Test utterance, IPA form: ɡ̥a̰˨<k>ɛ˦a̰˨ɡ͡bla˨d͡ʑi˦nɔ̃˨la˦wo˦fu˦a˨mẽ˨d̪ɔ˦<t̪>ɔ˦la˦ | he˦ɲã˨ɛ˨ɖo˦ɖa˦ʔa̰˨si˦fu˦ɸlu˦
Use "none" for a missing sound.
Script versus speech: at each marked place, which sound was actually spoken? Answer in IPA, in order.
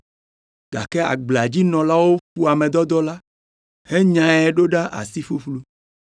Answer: k, d̪

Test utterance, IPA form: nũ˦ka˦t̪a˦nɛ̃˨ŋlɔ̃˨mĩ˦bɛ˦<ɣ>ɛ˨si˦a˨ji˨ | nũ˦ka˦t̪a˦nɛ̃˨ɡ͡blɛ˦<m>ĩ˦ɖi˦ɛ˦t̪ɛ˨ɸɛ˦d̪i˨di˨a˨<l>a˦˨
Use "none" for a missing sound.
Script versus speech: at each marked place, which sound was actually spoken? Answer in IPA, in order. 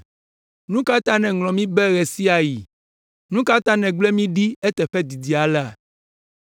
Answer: ɣ, m, l

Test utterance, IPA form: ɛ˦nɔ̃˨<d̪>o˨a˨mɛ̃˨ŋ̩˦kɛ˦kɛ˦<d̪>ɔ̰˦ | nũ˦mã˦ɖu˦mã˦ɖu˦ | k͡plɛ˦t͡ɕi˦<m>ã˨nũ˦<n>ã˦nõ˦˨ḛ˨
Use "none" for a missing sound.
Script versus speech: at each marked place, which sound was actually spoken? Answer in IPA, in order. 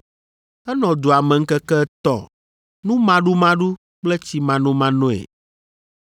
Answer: d̪, t̪, m, m

